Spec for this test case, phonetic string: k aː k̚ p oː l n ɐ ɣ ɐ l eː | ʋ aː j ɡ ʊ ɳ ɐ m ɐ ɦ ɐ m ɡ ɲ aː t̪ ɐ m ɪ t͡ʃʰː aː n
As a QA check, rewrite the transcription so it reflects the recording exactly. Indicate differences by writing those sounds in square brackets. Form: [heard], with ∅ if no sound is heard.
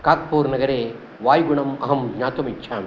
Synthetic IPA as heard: k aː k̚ p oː [ɾ] n ɐ ɣ ɐ [ɾ] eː | ʋ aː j ɡ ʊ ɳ ɐ m ɐ ɦ ɐ m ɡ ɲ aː t̪ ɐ m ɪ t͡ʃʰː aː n